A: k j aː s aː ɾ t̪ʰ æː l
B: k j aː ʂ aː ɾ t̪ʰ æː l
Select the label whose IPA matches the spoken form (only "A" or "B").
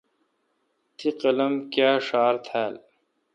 B